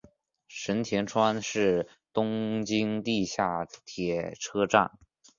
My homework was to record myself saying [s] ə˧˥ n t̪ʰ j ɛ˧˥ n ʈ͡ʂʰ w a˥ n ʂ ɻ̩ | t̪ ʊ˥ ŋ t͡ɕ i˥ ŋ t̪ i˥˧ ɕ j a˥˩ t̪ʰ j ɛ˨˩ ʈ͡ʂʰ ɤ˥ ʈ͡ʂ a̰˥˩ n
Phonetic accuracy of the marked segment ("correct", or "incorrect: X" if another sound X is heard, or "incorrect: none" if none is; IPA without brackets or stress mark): incorrect: ʂ